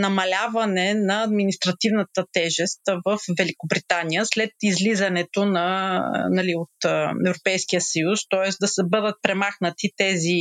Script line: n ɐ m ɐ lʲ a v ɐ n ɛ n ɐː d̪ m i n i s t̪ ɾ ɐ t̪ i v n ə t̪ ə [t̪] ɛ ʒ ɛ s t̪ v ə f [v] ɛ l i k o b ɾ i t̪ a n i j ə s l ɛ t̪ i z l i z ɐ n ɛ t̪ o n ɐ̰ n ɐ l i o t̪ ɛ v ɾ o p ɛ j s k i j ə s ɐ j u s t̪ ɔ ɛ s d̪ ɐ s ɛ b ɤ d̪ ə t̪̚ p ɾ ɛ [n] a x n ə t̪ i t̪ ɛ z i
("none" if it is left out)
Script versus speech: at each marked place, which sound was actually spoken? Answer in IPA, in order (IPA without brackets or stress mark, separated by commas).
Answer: t̪, v, m